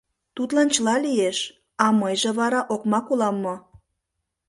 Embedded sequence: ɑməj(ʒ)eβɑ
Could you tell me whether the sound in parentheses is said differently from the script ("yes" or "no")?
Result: no